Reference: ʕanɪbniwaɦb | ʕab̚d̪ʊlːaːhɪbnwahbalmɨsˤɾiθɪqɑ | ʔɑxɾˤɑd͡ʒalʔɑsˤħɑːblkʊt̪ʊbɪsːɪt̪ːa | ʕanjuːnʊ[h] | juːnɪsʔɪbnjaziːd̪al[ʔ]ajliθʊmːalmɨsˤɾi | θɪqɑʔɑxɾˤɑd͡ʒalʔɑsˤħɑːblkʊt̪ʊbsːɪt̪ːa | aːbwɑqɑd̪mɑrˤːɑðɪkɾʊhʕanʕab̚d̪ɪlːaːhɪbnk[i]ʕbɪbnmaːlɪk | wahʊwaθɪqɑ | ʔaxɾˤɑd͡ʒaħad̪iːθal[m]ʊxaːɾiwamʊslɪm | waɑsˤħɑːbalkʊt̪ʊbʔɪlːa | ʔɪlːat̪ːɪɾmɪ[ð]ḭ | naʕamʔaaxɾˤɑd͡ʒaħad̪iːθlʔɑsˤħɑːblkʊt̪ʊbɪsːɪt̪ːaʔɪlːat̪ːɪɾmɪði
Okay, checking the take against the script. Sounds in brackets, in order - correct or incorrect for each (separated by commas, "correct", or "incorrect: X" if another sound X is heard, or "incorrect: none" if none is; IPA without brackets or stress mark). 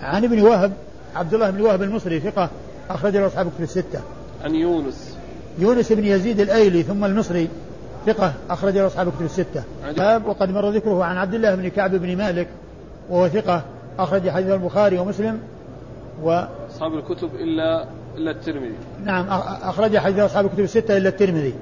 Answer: incorrect: s, correct, incorrect: a, incorrect: b, correct